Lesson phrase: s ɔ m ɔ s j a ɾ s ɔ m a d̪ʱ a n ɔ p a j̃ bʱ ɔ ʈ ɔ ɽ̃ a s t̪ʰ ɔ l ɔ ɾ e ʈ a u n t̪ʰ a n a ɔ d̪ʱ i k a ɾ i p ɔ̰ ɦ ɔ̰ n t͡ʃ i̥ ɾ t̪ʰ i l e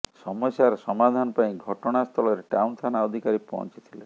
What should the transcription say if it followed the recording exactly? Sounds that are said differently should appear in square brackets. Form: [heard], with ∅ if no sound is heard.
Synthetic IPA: s ɔ m ɔ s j a ɾ s ɔ m a d̪ʱ a n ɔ p a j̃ [ɡʱ] ɔ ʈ ɔ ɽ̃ a s t̪ʰ ɔ l ɔ ɾ e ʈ a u n t̪ʰ a n a ɔ d̪ʱ i k a ɾ i p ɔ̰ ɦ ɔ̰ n t͡ʃ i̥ [∅] t̪ʰ i l e

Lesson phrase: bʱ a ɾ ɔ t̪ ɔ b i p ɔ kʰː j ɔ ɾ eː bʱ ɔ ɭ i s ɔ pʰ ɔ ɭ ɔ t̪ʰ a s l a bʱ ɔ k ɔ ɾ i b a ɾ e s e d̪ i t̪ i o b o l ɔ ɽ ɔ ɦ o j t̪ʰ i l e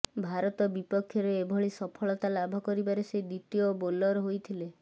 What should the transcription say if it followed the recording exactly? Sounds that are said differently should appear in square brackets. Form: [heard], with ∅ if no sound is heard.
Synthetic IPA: bʱ a ɾ ɔ t̪ ɔ b i p ɔ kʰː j ɔ ɾ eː bʱ ɔ ɭ i s ɔ pʰ ɔ ɭ ɔ [t̪] a [∅] l a bʱ ɔ k ɔ ɾ i b a ɾ e s e d̪ i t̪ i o b o l ɔ [ɾ] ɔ ɦ o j t̪ʰ i l e

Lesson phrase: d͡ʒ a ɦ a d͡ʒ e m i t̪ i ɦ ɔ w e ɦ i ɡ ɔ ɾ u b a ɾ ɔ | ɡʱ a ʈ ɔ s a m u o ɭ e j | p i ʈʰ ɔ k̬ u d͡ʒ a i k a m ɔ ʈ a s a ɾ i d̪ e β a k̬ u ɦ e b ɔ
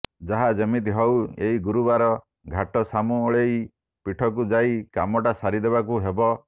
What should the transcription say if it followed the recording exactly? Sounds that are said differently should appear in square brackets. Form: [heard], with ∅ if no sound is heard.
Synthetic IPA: d͡ʒ a ɦ a d͡ʒ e m i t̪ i ɦ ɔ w e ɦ i ɡ [u] ɾ u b a ɾ ɔ | ɡʱ a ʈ ɔ s a m u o ɭ e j | p i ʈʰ ɔ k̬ u d͡ʒ a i k a m ɔ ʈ a s a ɾ i d̪ e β a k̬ u ɦ e b ɔ

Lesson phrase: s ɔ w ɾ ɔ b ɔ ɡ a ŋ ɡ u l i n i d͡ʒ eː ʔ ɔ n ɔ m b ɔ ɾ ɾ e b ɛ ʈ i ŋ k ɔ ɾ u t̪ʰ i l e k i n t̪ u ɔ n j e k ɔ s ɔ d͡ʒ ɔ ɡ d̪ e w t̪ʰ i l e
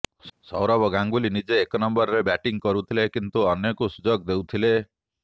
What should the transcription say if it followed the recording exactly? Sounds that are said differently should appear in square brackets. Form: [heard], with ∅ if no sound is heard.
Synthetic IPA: s ɔ w ɾ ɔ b ɔ ɡ a ŋ ɡ u l i n i d͡ʒ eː [k] ɔ n ɔ m b ɔ ɾ ɾ e b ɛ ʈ i ŋ k ɔ ɾ u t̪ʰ i l e k i n t̪ u ɔ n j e k [u] s [u] d͡ʒ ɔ ɡ d̪ e w t̪ʰ i l e

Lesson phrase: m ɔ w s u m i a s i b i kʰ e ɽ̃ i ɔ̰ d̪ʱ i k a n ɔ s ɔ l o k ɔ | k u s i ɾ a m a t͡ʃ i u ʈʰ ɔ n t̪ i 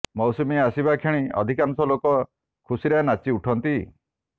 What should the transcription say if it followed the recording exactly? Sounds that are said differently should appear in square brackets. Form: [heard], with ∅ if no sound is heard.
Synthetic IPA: m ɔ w s u m i a s i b [a] kʰ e ɽ̃ i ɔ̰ d̪ʱ i k a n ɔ s ɔ l o k ɔ | [kʰ] u s i ɾ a [n] a t͡ʃ i u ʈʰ ɔ n t̪ i

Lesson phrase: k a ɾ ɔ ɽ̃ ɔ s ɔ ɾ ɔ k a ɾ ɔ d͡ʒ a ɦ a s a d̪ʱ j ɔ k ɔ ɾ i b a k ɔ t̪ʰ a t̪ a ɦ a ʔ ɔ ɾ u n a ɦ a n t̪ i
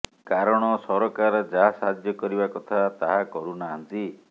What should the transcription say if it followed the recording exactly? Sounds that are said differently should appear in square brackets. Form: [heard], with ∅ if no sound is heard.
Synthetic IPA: k a ɾ ɔ ɽ̃ ɔ s ɔ ɾ ɔ k a ɾ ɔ d͡ʒ a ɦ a s a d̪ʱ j ɔ k ɔ ɾ i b a k ɔ t̪ʰ a t̪ a ɦ a [k] ɔ ɾ u n a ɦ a n t̪ i

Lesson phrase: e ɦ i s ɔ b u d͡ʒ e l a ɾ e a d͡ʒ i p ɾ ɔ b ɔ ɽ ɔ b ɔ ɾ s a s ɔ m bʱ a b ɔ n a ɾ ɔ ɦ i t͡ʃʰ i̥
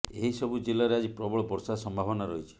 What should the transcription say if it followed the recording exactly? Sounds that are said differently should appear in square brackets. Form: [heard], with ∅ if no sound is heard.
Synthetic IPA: e ɦ i s ɔ b u d͡ʒ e l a ɾ e a d͡ʒ i p ɾ ɔ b ɔ [ɭ] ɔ b ɔ ɾ s a s ɔ m bʱ a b ɔ n a ɾ ɔ ɦ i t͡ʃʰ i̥

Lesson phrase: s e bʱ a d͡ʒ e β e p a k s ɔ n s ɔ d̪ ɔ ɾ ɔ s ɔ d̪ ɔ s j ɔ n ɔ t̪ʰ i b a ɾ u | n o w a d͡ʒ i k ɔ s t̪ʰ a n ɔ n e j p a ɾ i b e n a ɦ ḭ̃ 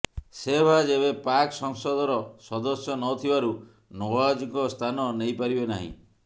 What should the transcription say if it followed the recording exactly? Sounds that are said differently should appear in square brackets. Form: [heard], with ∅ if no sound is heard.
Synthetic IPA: s e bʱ a d͡ʒ e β e p a k s ɔ [ŋ] s ɔ d̪ ɔ ɾ ɔ s ɔ d̪ ɔ s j ɔ n ɔ t̪ʰ i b a ɾ u | n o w a d͡ʒ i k ɔ s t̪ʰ a n ɔ n e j p a ɾ i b e n a ɦ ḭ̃

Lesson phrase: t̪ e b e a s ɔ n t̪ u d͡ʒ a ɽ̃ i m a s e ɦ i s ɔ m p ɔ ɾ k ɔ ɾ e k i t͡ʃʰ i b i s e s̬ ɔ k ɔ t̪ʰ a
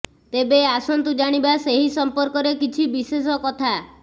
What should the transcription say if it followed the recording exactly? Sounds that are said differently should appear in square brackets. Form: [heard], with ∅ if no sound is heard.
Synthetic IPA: t̪ e b e a s ɔ n t̪ u d͡ʒ a ɽ̃ i [b] a s e ɦ i s ɔ m p ɔ ɾ k ɔ ɾ e k i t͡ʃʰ i b i s e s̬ ɔ k ɔ t̪ʰ a

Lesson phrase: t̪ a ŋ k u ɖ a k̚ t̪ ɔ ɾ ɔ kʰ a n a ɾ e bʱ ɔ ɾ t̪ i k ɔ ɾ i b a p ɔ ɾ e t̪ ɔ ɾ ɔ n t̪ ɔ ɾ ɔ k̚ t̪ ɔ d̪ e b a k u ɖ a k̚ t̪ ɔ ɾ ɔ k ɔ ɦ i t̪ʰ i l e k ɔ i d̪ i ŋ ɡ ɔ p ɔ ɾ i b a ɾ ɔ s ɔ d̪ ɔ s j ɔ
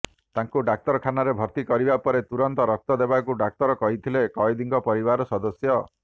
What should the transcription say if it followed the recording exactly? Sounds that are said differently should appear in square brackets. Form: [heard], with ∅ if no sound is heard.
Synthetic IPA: t̪ a ŋ k u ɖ a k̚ t̪ ɔ ɾ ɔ kʰ a n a ɾ e bʱ ɔ ɾ t̪ i k ɔ ɾ i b a p ɔ ɾ e t̪ [u] ɾ ɔ n t̪ ɔ ɾ ɔ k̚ t̪ ɔ d̪ e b a k u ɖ a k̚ t̪ ɔ ɾ ɔ k ɔ ɦ i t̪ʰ i l e k ɔ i d̪ i ŋ ɡ ɔ p ɔ ɾ i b a ɾ ɔ s ɔ d̪ ɔ s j ɔ

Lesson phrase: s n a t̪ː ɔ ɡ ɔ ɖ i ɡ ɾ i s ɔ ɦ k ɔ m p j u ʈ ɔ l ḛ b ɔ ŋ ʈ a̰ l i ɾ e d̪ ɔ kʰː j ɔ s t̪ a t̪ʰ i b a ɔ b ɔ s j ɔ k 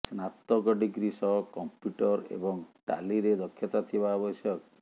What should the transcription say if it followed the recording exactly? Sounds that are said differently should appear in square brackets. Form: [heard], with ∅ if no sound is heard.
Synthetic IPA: s n a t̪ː ɔ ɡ ɔ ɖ i ɡ ɾ i s ɔ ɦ k ɔ m p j u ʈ ɔ [ɾ] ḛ b ɔ ŋ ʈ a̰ l i ɾ e d̪ ɔ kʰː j ɔ [∅] t̪ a t̪ʰ i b a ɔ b ɔ s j ɔ k

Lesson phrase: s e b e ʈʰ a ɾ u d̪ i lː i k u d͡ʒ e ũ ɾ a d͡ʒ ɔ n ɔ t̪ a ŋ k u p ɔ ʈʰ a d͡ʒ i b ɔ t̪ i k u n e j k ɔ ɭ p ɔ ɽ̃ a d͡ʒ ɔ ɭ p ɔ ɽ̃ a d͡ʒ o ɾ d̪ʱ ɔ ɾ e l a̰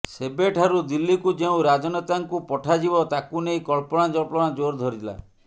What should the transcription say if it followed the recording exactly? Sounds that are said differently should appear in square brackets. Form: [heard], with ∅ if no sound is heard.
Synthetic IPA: s e b e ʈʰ a ɾ u d̪ i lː i k u d͡ʒ e ũ ɾ a d͡ʒ ɔ n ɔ t̪ a ŋ k u p ɔ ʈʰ a d͡ʒ i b ɔ t̪ [a] k u n e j k ɔ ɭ p ɔ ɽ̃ a d͡ʒ ɔ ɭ p ɔ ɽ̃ a d͡ʒ o ɾ d̪ʱ ɔ ɾ [i] l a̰

